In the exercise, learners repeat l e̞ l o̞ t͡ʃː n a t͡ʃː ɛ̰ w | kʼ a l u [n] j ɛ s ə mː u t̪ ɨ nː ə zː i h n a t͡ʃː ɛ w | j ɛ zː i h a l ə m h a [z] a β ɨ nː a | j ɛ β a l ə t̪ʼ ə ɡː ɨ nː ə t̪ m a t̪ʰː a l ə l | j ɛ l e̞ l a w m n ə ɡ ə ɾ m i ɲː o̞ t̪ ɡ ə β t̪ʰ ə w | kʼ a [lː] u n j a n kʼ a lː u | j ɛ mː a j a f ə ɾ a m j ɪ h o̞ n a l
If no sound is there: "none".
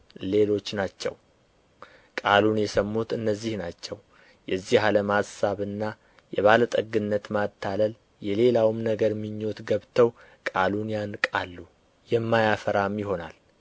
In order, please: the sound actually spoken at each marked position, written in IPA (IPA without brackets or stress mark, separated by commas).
n, s, l